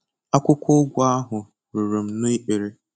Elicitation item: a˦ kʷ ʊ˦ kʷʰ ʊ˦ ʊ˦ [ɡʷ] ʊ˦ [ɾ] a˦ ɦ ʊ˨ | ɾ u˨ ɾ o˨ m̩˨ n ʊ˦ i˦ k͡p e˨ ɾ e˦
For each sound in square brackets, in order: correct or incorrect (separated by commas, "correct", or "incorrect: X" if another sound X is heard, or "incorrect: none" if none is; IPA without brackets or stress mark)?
correct, incorrect: none